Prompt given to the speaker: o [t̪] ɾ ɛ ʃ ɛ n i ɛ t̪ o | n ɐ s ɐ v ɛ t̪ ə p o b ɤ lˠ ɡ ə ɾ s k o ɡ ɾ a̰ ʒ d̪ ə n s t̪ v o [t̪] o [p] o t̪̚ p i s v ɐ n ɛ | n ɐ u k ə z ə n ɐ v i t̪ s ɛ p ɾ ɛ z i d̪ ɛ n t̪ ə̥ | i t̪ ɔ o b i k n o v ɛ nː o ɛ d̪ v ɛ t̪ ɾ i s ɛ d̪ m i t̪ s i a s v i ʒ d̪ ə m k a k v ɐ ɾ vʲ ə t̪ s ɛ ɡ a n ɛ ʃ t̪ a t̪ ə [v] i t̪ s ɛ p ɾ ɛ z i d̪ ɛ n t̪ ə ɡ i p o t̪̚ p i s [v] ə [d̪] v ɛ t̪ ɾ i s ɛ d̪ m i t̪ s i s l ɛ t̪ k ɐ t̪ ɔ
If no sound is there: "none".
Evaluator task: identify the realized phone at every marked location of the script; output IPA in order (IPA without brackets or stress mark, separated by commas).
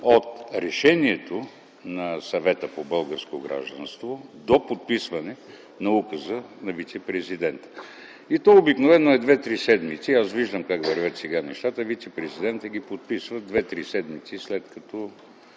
t̪, d̪, p, v, v, d̪